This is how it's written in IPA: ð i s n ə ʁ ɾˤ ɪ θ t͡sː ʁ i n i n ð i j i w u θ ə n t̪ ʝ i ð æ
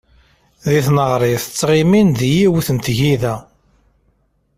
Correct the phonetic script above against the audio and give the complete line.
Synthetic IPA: ð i θ n ə ʁ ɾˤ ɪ θ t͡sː ʁ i m i n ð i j i w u θ ə n t̪ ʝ i ð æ

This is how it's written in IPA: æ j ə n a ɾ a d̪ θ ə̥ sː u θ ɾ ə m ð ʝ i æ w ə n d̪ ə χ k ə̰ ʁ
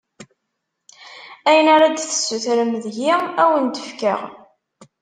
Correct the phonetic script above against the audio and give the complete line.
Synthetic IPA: æ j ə n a ɾ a d̪ θ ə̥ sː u θ ɾ ə m ð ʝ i æ w ə n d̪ ə f k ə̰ ʁ

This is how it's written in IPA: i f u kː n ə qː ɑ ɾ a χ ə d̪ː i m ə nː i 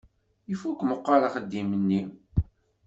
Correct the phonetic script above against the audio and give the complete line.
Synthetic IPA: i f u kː m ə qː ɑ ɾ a χ ə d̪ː i m ə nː i

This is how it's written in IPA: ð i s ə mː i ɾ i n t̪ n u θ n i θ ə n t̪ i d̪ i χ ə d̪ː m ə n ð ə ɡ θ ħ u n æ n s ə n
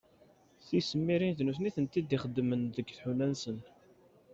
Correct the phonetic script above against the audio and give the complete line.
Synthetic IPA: θ i s ə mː i ɾ i n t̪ n u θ n i θ ə n t̪ i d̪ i χ ə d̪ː m ə n ð ə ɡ θ ħ u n æ n s ə n

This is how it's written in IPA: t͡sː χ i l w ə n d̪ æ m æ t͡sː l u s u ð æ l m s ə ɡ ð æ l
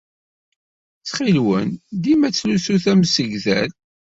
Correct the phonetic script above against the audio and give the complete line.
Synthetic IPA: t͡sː χ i l w ə n d̪ i m æ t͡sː l u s u θ æ m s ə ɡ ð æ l

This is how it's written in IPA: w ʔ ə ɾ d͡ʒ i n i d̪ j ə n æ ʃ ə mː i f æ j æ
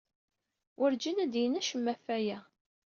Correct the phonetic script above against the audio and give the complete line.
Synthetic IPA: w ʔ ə ɾ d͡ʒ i n æ d̪ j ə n æ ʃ ə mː æ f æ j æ

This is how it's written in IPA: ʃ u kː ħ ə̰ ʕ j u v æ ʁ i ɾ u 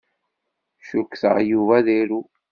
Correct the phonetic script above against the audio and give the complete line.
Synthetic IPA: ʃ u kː θ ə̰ ʁ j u v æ ð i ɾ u

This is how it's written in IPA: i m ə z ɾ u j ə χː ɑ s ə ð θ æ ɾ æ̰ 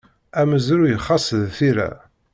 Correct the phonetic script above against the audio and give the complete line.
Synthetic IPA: æ m ə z ɾ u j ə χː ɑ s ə ð θ i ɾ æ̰

